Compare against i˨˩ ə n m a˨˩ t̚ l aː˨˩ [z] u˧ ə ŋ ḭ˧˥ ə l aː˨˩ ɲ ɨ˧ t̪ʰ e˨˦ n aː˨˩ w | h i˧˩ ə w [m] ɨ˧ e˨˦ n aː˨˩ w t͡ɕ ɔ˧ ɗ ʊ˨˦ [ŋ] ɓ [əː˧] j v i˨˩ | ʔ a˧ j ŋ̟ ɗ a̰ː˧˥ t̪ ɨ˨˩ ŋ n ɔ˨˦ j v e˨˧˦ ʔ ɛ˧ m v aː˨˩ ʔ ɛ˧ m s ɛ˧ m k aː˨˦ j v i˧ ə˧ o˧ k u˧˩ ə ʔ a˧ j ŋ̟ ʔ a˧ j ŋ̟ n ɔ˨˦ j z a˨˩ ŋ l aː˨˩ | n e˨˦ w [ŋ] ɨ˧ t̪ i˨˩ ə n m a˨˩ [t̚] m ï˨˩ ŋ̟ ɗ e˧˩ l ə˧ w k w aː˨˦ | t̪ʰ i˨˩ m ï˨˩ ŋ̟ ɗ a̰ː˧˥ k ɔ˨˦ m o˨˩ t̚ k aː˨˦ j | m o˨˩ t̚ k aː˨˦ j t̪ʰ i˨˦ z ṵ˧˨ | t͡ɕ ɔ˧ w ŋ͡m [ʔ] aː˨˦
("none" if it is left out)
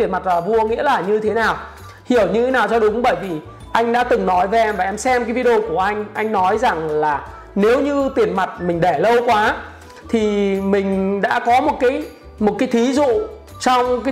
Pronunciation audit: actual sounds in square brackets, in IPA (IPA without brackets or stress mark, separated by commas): v, ɲ, ŋ͡m, əː˧˩, ɲ, t̚, k